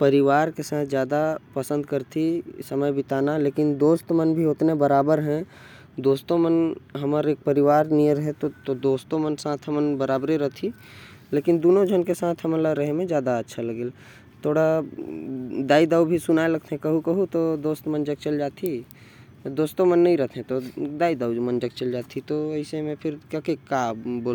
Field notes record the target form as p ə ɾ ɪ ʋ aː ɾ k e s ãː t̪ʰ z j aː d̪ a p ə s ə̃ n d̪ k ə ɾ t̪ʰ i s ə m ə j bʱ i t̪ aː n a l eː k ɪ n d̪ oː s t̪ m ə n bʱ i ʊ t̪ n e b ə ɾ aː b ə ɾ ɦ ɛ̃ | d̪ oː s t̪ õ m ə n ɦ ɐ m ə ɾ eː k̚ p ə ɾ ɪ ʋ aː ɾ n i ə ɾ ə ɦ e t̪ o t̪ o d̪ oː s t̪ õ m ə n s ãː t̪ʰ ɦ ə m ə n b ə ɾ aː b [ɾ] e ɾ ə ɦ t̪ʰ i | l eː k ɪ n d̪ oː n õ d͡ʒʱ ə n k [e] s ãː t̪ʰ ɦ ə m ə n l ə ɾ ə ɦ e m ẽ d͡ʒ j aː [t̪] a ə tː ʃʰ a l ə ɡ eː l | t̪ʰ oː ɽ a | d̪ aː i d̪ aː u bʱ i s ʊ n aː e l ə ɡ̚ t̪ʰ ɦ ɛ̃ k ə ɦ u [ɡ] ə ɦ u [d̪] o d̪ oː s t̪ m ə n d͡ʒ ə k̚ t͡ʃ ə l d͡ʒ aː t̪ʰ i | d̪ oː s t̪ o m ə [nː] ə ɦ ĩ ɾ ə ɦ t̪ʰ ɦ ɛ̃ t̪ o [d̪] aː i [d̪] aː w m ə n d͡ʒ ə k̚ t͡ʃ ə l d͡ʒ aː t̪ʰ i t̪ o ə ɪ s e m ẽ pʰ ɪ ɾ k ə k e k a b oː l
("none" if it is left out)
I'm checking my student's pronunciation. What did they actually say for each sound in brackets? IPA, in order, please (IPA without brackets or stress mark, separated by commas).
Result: ɾ, e, d̪, k, t̪, nː, d̪, d̪